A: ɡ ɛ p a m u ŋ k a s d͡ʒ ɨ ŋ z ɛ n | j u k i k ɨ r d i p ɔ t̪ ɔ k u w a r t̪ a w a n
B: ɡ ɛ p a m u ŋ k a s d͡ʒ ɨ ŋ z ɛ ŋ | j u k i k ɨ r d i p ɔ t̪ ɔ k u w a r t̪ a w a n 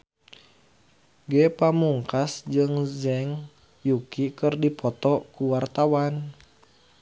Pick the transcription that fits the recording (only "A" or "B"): B